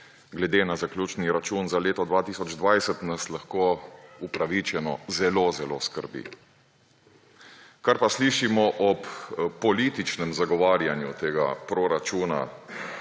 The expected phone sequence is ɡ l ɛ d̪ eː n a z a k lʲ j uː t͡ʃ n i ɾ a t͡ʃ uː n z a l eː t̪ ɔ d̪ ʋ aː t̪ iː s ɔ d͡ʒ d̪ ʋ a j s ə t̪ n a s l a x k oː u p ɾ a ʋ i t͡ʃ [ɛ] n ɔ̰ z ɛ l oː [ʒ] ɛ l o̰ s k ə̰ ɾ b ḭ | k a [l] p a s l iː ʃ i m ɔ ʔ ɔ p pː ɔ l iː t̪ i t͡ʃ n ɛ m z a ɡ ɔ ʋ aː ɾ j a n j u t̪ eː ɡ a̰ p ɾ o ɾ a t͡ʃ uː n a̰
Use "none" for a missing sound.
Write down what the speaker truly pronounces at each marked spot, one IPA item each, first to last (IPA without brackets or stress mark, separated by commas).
ɛ, z, ɾ